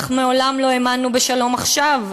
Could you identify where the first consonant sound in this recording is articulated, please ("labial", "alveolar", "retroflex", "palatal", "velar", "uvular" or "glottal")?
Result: uvular